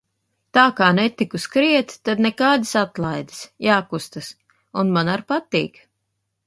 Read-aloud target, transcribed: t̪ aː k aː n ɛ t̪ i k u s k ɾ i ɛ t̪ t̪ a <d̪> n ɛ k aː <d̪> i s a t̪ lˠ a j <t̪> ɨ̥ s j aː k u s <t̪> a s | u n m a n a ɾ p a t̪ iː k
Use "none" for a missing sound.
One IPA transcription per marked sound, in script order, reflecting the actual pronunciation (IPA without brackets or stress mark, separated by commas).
d̪, d̪, d̪, t̪